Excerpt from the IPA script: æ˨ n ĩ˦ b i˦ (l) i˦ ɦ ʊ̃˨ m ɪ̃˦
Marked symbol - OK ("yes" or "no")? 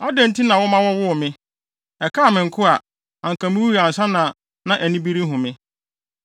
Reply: no